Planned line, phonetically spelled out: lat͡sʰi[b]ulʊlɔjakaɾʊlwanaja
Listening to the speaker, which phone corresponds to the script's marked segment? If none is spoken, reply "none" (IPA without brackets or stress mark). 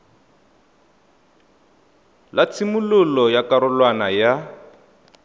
m